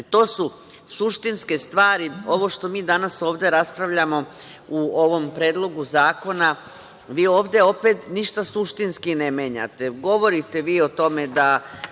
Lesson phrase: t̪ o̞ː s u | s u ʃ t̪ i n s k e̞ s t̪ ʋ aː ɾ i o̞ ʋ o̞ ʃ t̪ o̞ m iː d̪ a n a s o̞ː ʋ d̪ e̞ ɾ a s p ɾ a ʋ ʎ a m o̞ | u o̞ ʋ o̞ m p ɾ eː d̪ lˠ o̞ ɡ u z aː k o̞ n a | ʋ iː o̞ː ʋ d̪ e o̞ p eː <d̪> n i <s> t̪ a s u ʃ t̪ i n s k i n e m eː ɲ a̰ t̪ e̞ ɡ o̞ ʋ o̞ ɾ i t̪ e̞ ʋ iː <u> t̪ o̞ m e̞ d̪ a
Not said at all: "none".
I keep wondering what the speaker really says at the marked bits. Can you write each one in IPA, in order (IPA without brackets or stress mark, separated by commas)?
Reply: t̪, ʃ, o